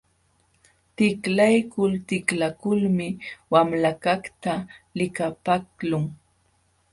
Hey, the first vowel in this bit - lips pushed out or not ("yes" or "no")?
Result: no